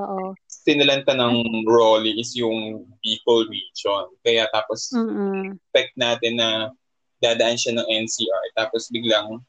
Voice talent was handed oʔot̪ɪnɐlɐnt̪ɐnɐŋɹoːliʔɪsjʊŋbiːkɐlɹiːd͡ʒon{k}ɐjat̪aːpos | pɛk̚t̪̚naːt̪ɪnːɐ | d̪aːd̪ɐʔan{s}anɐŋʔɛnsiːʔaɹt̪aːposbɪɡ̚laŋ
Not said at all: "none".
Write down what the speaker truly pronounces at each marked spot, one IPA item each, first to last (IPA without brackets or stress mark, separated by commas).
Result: k, ʃ